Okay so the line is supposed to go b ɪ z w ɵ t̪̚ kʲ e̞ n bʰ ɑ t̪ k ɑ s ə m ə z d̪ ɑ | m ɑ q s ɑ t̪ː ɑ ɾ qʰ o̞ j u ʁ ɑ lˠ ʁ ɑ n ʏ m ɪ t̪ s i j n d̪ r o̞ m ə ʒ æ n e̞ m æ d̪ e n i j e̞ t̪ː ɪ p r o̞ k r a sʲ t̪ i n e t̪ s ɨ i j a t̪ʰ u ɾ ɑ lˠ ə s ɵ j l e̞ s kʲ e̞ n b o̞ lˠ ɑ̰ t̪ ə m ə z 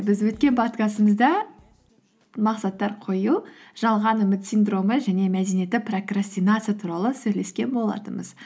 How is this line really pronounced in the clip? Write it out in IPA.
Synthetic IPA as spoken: b ɪ z w ɵ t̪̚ kʲ e̞ n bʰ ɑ t̪ k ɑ s ə m ə z d̪ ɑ | m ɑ q s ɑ t̪ː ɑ ɾ qʰ o̞ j u ʒ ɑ lˠ ʁ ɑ n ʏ m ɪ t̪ s i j n d̪ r o̞ m ə ʒ æ n e̞ m æ d̪ e n i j e̞ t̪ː ɪ p r o̞ k r a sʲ t̪ i n a t̪ s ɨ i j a t̪ʰ u ɾ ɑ lˠ ə s ɵ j l e̞ s kʲ e̞ n b o̞ lˠ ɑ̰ t̪ ə m ə z